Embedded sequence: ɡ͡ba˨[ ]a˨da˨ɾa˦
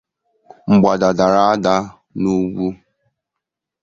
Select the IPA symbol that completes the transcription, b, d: d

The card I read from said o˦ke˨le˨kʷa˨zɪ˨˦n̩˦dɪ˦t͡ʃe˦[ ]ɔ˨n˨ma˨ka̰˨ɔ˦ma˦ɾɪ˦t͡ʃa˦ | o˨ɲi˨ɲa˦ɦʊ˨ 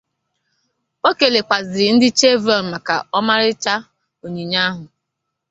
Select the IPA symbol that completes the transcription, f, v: v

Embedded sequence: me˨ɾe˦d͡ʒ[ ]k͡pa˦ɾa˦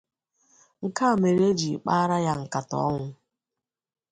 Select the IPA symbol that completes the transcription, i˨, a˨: i˨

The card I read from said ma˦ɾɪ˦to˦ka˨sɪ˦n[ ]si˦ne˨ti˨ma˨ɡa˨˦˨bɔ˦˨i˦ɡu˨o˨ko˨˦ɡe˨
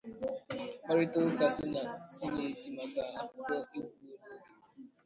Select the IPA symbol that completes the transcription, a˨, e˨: a˨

